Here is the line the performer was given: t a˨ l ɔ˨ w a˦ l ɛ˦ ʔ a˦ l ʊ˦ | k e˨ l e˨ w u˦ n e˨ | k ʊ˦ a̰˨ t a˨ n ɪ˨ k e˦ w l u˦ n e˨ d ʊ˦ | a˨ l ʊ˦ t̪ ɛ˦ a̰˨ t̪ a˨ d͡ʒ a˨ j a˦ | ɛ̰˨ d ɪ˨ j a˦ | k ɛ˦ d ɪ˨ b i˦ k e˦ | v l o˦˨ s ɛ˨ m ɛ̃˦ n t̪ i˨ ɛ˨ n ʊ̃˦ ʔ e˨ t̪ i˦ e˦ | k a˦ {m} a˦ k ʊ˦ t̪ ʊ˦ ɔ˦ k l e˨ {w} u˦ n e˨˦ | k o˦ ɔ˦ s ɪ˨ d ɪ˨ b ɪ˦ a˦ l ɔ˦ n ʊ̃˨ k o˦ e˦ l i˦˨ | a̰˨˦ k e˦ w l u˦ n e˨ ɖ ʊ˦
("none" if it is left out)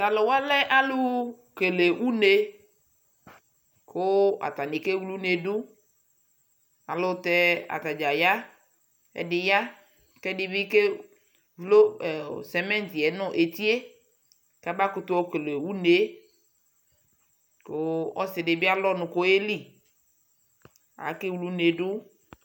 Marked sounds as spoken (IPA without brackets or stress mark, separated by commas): b, w